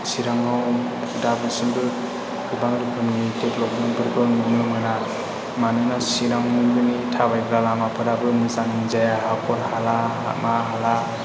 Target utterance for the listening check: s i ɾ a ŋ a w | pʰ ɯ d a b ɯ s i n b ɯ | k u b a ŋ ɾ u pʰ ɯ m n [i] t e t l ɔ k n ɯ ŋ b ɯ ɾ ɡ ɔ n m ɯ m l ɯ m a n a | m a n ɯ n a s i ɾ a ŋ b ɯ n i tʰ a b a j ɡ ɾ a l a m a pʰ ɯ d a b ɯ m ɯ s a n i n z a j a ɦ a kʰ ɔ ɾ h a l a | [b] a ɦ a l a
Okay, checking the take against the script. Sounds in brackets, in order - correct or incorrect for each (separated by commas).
correct, incorrect